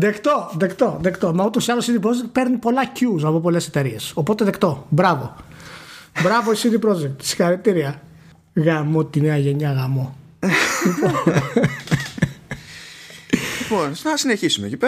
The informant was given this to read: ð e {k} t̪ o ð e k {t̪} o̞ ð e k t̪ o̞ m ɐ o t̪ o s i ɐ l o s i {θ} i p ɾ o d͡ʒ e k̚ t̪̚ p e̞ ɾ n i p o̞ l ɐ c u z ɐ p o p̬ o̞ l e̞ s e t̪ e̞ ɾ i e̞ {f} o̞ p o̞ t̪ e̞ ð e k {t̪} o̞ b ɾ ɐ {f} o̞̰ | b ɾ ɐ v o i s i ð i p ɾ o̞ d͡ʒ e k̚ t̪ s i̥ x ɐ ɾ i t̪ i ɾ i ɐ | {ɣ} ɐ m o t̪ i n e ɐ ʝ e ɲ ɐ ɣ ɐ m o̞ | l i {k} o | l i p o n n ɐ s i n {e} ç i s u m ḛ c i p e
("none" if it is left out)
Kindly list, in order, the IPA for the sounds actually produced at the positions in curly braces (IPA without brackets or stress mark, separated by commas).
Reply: k, t̪, ð, s, t̪, v, ɣ, p, e